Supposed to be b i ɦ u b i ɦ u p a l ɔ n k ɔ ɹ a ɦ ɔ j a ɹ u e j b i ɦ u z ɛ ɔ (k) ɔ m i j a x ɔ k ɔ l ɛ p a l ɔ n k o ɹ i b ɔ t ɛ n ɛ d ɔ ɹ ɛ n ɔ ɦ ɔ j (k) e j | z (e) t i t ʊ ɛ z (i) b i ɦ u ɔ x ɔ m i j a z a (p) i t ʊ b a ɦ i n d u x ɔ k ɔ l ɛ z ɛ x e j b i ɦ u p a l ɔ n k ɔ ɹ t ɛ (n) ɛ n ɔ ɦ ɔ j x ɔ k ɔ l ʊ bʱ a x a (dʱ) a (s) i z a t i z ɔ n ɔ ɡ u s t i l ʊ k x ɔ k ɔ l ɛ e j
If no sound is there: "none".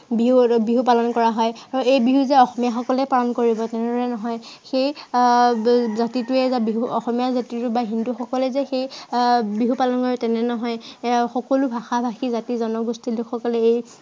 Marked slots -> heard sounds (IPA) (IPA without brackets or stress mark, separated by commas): x, x, a, a, t, n, bʱ, x